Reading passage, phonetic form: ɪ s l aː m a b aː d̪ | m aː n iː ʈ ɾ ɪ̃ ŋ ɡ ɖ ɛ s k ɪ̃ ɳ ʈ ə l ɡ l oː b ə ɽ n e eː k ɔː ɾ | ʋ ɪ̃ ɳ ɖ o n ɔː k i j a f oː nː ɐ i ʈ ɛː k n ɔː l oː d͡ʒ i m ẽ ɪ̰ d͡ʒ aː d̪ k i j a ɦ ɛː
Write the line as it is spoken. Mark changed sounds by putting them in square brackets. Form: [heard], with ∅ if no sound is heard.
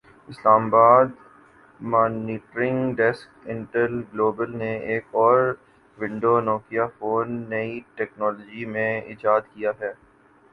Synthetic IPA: ɪ s l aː m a b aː d̪ | m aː n iː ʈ ɾ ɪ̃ ŋ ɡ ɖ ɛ s k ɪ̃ ɳ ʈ ə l ɡ l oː b ə [l] n e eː k ɔː ɾ | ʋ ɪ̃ ɳ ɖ o n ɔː k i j a f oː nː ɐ i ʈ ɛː k n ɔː l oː d͡ʒ i m ẽ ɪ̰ d͡ʒ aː d̪ k i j a ɦ ɛː